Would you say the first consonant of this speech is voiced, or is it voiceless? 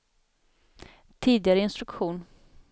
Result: voiceless